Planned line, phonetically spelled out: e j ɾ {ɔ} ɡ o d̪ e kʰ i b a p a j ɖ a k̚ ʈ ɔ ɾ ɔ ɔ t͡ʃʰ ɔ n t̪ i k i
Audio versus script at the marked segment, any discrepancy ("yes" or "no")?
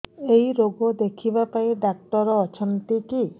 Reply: yes